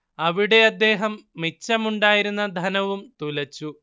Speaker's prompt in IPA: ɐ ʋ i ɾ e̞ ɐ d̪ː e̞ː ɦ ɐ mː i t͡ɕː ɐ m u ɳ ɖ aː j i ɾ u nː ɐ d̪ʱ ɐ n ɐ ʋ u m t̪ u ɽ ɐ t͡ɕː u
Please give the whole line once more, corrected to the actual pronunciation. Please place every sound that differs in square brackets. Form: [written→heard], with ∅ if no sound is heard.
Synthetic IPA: ɐ ʋ i [ɾ→ɽ] e̞ ɐ d̪ː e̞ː ɦ ɐ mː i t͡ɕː ɐ m u ɳ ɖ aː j i ɾ u nː ɐ d̪ʱ ɐ n ɐ ʋ u m t̪ u [ɽ→l] ɐ t͡ɕː u

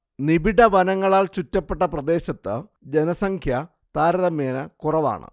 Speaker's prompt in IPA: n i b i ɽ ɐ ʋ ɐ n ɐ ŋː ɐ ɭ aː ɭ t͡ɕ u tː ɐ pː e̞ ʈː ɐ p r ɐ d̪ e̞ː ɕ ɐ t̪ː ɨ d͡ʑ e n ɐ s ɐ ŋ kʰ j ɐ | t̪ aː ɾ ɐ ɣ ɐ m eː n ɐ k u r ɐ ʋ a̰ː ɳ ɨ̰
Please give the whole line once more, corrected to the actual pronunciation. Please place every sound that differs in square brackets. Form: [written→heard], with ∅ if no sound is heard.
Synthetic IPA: n i b i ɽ ɐ ʋ ɐ n ɐ ŋː ɐ ɭ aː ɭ t͡ɕ u tː ɐ pː e̞ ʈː ɐ p r ɐ d̪ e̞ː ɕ ɐ t̪ː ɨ d͡ʑ e n ɐ s ɐ ŋ kʰ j ɐ | t̪ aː ɾ ɐ [ɣ→ð] ɐ m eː n ɐ k u r ɐ ʋ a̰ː ɳ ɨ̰

